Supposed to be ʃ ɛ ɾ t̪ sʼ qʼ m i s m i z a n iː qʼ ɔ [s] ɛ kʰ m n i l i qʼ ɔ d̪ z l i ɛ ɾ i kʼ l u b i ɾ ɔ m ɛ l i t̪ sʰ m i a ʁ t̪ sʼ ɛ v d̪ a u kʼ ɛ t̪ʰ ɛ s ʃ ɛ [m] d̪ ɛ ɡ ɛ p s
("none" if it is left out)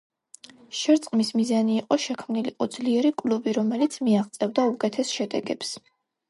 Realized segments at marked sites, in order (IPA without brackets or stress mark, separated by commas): ʃ, none